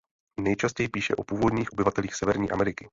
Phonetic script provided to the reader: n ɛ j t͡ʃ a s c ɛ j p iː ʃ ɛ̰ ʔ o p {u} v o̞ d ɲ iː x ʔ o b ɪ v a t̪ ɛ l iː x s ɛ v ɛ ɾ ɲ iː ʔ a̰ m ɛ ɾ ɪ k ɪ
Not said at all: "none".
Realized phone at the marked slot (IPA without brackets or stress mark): uː